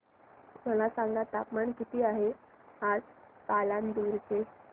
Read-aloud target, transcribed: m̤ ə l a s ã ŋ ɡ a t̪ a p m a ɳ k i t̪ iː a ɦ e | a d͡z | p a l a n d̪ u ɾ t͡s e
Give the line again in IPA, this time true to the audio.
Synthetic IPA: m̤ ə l a s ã ŋ ɡ a t̪ a p m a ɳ k i t̪ iː a ɦ e | a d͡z | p a l a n d̪ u ɾ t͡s e